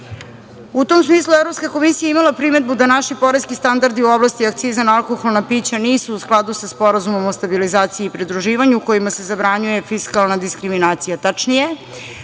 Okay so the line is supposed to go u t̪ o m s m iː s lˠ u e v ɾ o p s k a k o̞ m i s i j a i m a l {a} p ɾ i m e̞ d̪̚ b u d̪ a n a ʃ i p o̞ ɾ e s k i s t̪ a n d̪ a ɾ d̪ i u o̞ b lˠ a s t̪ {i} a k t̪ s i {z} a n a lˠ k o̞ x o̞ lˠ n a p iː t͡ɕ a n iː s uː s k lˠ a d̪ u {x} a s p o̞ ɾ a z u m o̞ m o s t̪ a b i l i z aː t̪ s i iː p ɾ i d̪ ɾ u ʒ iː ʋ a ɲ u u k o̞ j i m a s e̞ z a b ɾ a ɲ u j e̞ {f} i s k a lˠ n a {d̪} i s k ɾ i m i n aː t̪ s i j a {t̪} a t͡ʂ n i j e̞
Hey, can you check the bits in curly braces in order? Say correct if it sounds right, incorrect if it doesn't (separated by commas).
correct, correct, correct, incorrect, correct, correct, correct